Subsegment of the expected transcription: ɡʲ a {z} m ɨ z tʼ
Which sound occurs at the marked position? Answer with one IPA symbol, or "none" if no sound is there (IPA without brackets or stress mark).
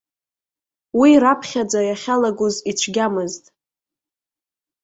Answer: none